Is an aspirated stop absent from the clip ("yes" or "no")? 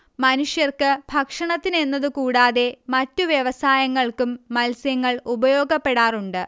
yes